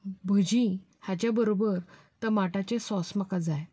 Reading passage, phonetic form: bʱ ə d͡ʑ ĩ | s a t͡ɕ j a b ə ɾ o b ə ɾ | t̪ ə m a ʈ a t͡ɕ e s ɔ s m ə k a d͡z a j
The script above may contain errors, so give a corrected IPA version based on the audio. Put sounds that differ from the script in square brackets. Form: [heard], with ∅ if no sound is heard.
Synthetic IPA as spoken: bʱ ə d͡ʑ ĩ | [h] a t͡ɕ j a b ə ɾ o b ə ɾ | t̪ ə m a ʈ a t͡ɕ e s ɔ s m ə k a d͡z a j